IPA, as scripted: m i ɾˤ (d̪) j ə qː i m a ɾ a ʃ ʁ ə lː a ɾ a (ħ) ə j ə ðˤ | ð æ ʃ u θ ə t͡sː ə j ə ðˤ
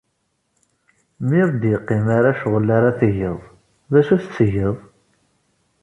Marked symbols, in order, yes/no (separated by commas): yes, no